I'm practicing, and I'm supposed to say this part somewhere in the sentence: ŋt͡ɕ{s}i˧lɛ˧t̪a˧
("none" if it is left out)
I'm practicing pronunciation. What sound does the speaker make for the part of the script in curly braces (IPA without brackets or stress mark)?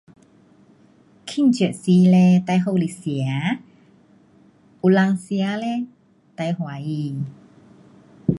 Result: s